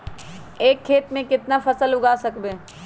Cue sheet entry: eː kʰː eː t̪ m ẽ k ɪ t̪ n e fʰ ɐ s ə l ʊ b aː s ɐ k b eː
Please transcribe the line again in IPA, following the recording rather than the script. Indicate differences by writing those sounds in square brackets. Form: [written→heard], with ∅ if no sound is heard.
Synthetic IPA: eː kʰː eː t̪ m ẽ k ɪ t̪ n [e→a] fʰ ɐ s ə l ʊ [b→ɡ] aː s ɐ k b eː